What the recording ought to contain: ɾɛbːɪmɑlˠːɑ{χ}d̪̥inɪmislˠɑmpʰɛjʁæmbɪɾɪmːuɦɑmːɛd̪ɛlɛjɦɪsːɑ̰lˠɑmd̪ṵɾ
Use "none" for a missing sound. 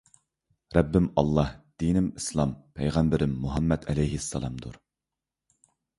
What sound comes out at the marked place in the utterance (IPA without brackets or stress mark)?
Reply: h